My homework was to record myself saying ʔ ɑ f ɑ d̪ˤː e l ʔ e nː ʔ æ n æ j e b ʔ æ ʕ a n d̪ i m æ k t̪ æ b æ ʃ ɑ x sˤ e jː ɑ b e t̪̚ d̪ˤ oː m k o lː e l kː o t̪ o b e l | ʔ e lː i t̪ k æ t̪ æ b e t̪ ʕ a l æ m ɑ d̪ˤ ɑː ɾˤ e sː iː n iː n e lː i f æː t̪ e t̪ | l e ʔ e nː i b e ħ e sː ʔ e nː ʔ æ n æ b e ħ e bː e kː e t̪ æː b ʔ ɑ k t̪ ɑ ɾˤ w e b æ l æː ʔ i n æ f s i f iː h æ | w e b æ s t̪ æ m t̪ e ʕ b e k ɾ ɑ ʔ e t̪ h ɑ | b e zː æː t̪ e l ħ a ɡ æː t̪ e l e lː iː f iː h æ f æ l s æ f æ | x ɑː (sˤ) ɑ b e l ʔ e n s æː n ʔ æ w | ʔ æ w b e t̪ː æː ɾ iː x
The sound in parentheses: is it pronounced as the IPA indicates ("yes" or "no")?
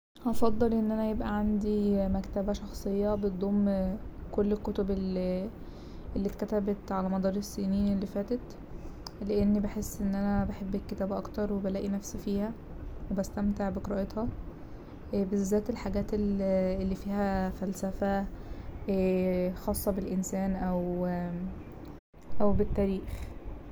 no